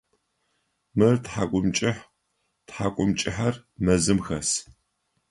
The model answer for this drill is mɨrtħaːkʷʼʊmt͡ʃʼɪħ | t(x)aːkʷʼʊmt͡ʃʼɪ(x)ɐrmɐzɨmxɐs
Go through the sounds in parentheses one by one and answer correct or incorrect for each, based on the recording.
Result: incorrect: ħ, incorrect: ħ

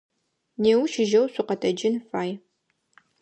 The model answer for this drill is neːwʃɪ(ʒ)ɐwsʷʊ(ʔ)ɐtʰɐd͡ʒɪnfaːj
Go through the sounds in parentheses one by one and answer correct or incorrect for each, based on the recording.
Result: correct, incorrect: q

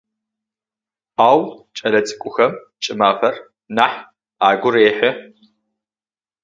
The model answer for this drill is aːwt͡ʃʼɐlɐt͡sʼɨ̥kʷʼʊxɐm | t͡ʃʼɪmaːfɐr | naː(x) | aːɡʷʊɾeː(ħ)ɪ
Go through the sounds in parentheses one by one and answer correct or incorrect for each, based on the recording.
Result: incorrect: ħ, correct

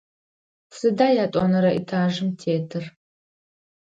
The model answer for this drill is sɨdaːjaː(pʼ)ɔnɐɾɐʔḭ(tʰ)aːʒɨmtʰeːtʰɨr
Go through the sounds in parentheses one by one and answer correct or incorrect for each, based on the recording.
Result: incorrect: tʼ, correct

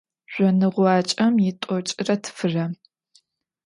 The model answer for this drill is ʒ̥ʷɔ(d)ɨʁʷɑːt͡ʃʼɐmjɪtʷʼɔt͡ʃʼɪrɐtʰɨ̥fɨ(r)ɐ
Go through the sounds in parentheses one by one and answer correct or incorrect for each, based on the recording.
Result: incorrect: n, correct

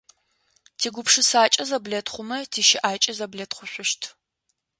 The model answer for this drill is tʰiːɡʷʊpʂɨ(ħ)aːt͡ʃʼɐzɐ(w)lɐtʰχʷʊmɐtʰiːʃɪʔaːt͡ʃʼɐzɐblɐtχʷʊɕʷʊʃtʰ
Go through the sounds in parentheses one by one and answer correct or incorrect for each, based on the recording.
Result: incorrect: s, incorrect: b

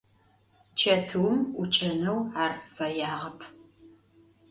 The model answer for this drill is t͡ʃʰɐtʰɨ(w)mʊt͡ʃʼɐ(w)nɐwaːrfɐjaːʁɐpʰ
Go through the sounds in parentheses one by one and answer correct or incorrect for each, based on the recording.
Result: correct, incorrect: none

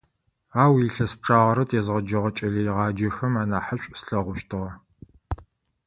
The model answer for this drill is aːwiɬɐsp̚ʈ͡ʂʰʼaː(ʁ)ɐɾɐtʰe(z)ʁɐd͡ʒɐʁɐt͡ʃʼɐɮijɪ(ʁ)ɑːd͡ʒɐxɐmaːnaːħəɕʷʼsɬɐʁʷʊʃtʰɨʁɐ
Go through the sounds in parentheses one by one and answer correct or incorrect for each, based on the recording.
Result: correct, correct, correct

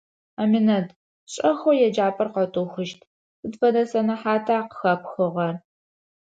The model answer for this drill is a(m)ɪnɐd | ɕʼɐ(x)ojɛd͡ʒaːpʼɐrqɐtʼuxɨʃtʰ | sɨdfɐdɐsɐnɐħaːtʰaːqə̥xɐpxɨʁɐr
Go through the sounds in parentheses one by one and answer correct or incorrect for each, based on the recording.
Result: correct, correct

